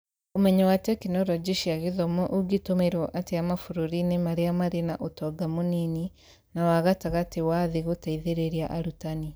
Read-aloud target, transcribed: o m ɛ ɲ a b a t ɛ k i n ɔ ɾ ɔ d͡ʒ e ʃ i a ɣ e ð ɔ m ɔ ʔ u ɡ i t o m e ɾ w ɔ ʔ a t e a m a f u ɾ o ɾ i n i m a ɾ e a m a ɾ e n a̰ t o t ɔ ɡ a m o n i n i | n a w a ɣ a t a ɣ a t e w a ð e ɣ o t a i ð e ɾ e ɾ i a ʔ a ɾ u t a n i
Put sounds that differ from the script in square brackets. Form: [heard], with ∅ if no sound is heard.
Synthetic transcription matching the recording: o m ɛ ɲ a [w] a t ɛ k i n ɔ ɾ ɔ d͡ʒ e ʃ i a ɣ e ð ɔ m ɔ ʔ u ɡ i t o m e ɾ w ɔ ʔ a t e a m a f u ɾ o ɾ i n [e] m a ɾ e a m a ɾ e n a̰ [ʔ] o t ɔ ɡ a m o n i n i | n a w a ɣ a t a ɣ a t e w a ð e ɣ o t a i ð e ɾ e ɾ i a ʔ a ɾ u t a n i